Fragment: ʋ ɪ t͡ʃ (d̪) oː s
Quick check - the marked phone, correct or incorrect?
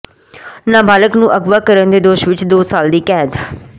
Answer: correct